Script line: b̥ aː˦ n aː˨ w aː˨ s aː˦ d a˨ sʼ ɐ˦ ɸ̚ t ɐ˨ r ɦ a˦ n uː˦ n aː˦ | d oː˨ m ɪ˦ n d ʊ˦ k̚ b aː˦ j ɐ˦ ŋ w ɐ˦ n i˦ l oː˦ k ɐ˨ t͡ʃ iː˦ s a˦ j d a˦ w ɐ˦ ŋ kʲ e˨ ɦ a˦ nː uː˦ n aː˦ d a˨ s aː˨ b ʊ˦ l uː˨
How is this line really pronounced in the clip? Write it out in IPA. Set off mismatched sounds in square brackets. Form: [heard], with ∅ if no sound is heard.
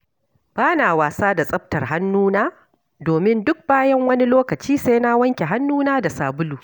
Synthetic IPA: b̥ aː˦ n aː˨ w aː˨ s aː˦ d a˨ sʼ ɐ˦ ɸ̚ t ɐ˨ r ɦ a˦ [nː] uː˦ n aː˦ | d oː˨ m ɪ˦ n d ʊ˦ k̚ b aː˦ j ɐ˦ ŋ w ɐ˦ n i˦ l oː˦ k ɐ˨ t͡ʃ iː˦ s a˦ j [n] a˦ w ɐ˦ ŋ kʲ e˨ ɦ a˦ nː uː˦ n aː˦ d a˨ s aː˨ b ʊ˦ l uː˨